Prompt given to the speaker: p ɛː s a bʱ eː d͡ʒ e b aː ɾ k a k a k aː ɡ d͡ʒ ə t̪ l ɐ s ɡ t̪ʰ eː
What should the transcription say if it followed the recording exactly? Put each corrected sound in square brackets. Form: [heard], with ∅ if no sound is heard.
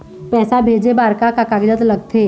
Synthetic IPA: p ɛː s a bʱ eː d͡ʒ e b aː ɾ k a k a k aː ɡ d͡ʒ ə t̪ l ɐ [∅] ɡ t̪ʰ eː